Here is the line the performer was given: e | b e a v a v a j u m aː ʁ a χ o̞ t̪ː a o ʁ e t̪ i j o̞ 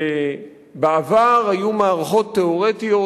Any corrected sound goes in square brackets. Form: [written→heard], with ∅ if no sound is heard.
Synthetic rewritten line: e | b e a v a [v→ʁ] a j u m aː ʁ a χ o̞ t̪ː [a→e] o ʁ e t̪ i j o̞